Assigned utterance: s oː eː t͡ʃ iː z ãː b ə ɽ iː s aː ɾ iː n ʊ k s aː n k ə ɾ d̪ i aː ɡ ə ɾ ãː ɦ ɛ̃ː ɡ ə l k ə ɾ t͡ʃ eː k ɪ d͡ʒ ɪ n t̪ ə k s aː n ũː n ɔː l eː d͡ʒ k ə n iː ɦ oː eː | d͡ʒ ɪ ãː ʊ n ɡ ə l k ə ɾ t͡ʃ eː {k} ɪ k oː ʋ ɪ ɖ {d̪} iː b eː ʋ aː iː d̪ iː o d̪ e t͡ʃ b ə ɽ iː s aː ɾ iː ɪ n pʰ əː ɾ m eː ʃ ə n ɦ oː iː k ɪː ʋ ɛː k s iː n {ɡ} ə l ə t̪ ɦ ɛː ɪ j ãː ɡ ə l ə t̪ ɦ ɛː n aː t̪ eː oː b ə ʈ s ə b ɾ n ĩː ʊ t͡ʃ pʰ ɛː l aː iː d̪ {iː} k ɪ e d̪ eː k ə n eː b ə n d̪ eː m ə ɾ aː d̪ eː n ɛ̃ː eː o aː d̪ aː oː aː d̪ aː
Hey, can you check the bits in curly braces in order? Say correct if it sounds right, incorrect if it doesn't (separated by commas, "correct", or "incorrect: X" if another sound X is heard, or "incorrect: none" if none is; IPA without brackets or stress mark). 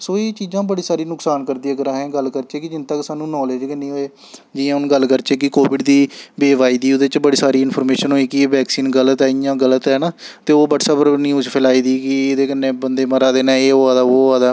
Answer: correct, correct, correct, correct